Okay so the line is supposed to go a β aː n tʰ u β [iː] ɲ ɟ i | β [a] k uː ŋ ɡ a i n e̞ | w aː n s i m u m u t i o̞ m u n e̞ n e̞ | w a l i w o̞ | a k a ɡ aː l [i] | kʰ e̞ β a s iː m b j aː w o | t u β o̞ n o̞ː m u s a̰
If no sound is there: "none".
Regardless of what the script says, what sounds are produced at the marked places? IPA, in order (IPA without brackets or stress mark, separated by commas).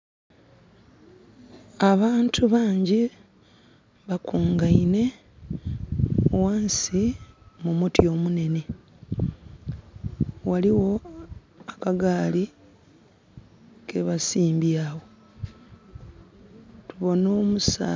aː, a, i